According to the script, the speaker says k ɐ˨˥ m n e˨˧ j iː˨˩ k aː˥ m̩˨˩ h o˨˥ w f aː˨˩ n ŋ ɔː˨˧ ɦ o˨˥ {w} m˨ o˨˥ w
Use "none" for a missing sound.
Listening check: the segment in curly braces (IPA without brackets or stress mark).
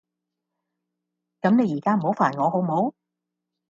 w